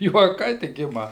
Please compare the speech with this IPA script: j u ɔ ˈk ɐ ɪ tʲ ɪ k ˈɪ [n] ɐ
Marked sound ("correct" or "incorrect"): incorrect